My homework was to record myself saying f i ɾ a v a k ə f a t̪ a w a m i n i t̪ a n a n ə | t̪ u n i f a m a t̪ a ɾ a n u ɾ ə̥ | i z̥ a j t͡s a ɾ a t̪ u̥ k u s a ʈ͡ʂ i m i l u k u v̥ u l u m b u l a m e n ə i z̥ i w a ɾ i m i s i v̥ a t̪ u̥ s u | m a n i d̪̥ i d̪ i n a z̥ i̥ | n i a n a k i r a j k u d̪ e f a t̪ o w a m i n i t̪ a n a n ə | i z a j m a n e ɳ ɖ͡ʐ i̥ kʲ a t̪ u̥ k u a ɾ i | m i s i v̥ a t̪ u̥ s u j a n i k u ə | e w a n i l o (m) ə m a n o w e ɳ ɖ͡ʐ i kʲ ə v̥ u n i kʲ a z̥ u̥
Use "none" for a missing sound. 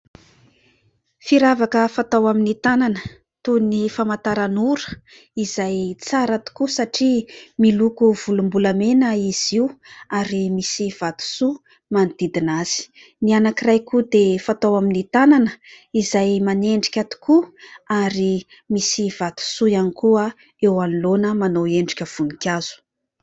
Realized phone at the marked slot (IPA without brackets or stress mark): n